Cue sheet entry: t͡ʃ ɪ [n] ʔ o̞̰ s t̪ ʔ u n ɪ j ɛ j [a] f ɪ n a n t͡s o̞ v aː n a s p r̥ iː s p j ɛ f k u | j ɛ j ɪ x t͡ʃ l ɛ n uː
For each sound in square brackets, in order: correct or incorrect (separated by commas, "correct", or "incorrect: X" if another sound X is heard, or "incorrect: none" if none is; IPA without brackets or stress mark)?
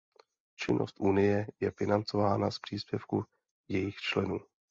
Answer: correct, incorrect: ɛ